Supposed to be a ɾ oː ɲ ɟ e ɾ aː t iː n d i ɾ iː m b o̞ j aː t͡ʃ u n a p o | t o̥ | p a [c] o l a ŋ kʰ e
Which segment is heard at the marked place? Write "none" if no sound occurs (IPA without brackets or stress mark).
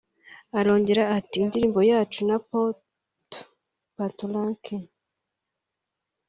t